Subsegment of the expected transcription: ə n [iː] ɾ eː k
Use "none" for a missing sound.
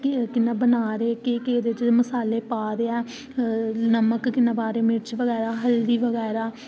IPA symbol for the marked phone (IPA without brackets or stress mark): aː